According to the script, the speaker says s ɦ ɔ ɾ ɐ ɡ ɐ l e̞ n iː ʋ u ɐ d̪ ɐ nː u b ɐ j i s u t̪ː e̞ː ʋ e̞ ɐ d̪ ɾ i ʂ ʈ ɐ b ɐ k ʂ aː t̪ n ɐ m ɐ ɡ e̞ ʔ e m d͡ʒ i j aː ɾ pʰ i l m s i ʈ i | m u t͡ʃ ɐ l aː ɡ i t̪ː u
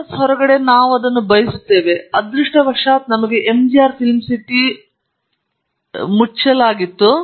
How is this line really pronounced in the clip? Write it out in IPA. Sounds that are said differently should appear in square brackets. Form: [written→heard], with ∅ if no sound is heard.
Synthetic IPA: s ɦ ɔ ɾ ɐ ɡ ɐ [l→ɽ] e̞ n [iː→aː] ʋ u ɐ d̪ ɐ nː u b ɐ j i s u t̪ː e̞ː ʋ e̞ ɐ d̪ ɾ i ʂ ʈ ɐ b ɐ k ʂ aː t̪ n ɐ m ɐ ɡ e̞ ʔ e m d͡ʒ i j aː ɾ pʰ i l m s i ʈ i | m u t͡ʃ ɐ l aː ɡ i t̪ː u